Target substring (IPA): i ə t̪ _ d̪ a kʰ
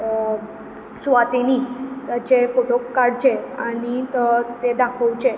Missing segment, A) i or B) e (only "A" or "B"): B